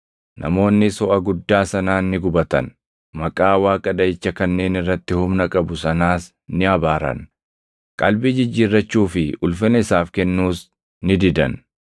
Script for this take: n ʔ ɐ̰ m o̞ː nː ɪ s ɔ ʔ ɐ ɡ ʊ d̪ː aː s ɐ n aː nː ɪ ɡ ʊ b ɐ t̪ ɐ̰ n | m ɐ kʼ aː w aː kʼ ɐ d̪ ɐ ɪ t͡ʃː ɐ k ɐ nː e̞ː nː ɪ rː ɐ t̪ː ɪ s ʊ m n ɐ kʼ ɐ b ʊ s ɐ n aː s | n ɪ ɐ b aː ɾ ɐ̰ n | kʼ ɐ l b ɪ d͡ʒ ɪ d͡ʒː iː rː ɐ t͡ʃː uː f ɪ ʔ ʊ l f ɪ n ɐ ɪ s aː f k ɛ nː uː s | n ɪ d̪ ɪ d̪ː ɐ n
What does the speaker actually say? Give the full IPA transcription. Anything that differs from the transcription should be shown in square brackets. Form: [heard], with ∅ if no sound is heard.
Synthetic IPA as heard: n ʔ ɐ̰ m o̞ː nː ɪ s ɔ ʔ ɐ ɡ ʊ d̪ː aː s ɐ n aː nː ɪ ɡ ʊ b ɐ t̪ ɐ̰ n | m ɐ kʼ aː w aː kʼ ɐ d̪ ɐ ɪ t͡ʃː ɐ k ɐ nː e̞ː [n] ɪ rː ɐ t̪ː ɪ [h] ʊ m n ɐ kʼ ɐ b ʊ s ɐ n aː s | n ɪ ɐ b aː ɾ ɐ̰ n | kʼ ɐ l b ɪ d͡ʒ ɪ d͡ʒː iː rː ɐ t͡ʃː uː f ɪ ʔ ʊ l f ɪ n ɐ ɪ s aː f k ɛ nː uː s | n ɪ d̪ ɪ [d̪] ɐ n